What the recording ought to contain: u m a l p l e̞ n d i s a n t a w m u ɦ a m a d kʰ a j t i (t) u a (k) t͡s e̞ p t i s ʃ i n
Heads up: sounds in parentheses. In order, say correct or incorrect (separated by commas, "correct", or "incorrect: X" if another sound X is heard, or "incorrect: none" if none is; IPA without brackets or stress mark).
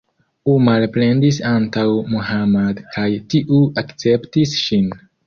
incorrect: ʔ, correct